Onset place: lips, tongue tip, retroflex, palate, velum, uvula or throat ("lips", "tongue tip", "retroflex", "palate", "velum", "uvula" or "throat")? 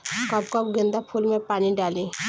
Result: velum